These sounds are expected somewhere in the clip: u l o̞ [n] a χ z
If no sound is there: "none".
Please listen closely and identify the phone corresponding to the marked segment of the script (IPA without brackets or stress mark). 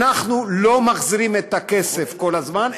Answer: m